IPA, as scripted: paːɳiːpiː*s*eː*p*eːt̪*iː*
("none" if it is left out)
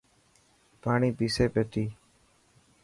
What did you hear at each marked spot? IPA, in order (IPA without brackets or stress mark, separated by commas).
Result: s, p, iː